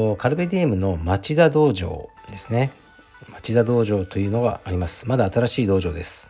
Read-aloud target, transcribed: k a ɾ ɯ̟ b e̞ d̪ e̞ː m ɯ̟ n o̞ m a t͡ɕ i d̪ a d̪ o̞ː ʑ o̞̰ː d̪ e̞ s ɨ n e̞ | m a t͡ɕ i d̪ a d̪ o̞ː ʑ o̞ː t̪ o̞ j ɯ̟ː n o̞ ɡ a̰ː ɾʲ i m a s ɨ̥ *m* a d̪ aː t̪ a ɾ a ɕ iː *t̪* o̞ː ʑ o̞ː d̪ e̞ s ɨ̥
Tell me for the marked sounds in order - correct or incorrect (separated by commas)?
correct, incorrect